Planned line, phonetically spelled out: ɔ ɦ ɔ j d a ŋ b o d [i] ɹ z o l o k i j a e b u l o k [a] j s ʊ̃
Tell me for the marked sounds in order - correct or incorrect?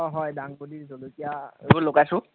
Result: correct, correct

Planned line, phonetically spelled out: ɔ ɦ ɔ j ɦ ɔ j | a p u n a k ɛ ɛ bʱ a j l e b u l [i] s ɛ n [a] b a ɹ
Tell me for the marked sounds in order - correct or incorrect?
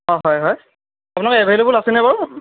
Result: incorrect, incorrect

